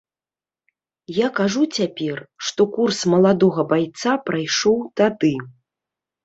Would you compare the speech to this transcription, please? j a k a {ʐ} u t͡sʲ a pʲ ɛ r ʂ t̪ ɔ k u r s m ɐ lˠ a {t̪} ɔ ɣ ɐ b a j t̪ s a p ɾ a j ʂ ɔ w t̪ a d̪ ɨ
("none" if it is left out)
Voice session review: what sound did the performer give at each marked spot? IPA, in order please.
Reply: ʐ, d̪

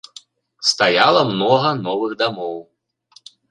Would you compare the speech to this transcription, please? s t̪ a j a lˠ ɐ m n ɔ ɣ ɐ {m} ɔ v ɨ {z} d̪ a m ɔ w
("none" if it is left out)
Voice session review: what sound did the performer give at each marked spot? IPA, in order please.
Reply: n, ɣ

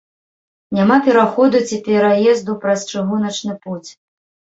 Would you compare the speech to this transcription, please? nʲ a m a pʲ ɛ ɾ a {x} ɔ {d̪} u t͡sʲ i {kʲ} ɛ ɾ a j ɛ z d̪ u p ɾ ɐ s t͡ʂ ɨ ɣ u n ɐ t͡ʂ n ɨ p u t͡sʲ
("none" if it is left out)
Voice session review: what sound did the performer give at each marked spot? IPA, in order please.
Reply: x, d̪, pʲ

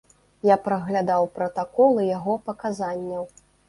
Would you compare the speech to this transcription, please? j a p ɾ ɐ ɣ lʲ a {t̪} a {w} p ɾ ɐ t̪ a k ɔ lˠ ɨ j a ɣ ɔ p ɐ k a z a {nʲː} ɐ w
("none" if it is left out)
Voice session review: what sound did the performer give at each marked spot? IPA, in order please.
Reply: d̪, w, nʲː

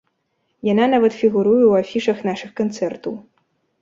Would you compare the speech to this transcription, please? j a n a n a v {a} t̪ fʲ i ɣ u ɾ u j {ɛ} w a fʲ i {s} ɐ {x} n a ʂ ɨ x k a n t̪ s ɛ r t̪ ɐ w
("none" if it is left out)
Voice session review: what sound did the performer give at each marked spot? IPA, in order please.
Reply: ɐ, ɛ, ʂ, x

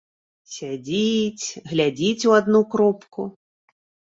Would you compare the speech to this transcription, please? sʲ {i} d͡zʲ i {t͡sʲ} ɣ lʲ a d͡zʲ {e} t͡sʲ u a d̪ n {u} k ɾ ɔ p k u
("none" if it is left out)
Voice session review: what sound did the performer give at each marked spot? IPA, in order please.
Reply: a, t͡sʲ, i, u

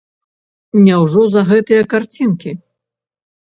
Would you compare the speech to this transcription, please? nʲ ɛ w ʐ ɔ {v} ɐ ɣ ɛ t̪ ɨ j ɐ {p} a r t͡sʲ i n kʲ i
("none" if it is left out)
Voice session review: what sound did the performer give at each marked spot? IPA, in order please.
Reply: z, k

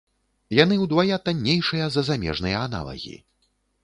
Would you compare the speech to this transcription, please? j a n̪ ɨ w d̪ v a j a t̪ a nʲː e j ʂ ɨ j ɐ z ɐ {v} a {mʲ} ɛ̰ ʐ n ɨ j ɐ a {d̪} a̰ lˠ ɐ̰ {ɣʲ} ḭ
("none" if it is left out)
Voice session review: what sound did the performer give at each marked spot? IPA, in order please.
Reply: z, mʲ, n̪, ɣʲ

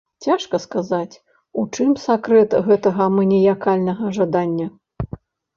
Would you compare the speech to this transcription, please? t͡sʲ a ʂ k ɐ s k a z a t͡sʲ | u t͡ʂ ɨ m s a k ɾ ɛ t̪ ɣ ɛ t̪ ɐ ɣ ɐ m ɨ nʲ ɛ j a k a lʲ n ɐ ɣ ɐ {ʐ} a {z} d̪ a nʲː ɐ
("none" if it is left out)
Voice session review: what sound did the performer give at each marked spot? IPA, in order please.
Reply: ʐ, none

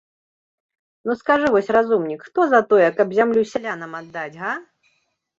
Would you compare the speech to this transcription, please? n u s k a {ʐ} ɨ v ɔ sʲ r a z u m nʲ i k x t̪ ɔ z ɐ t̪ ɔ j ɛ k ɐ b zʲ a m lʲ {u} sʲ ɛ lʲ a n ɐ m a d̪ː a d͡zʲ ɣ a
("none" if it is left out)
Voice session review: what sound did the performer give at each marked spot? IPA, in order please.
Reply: ʐ, u

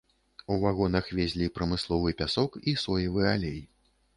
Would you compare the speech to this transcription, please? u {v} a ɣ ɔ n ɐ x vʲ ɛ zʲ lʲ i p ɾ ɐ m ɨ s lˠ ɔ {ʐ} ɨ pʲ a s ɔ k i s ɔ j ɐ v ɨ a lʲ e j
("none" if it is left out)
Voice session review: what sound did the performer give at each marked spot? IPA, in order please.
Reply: v, v

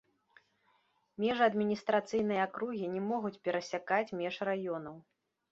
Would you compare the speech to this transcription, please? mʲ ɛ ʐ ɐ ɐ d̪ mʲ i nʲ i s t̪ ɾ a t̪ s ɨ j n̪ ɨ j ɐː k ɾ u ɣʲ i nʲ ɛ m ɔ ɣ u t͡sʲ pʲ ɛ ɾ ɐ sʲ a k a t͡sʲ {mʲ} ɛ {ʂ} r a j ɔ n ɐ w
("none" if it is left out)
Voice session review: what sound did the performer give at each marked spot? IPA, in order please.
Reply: mʲ, ʂ

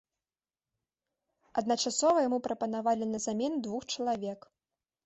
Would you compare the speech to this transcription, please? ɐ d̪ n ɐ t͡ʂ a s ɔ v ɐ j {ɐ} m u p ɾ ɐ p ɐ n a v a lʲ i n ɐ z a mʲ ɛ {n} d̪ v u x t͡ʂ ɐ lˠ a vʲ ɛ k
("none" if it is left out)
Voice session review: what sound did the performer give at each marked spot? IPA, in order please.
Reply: a, n

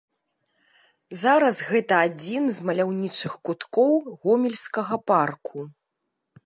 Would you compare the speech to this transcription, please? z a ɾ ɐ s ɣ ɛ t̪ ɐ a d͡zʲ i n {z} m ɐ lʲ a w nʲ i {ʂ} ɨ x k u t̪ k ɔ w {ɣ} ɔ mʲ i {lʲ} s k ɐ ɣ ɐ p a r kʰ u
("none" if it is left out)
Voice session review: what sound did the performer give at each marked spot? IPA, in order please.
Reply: z, t͡ʂ, ɣ, lʲ

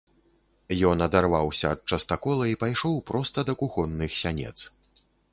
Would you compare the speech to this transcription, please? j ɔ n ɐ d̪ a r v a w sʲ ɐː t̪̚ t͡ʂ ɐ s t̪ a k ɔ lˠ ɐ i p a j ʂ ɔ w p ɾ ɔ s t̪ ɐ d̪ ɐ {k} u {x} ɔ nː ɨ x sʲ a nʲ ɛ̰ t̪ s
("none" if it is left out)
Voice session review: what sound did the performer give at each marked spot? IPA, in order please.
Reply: k, x

